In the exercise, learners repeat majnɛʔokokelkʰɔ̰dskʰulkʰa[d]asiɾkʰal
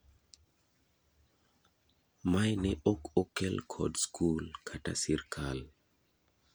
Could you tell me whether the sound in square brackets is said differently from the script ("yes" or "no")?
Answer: yes